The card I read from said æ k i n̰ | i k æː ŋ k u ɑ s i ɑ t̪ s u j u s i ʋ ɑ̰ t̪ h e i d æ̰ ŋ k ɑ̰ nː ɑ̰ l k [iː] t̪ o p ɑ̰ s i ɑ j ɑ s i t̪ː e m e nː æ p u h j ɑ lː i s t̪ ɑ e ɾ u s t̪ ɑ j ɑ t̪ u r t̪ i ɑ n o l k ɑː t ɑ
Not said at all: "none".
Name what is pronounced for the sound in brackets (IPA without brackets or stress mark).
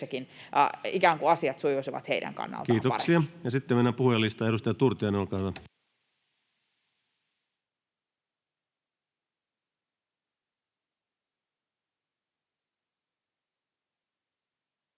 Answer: iː